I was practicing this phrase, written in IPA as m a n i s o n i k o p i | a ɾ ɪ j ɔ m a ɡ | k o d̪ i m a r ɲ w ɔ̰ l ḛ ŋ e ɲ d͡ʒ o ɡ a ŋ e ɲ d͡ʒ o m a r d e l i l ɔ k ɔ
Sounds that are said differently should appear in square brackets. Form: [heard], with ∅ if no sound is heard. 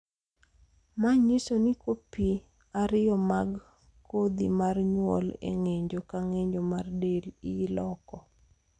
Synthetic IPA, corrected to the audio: m a [ɲ] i s o n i k o p i | a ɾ ɪ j ɔ m a ɡ | k o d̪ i m a r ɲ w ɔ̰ l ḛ ŋ e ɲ d͡ʒ o [k] a ŋ e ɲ d͡ʒ o m a r d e l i l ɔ k ɔ